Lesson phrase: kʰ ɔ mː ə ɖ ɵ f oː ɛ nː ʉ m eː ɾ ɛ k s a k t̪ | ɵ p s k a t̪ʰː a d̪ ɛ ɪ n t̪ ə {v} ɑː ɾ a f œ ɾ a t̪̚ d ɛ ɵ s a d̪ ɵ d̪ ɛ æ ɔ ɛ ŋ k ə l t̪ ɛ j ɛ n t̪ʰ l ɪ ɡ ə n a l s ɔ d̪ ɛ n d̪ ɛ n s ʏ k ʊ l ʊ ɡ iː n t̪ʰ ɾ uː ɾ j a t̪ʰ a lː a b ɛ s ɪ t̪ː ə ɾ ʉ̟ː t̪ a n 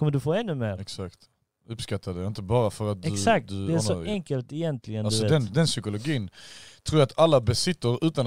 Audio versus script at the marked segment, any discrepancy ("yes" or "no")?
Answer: yes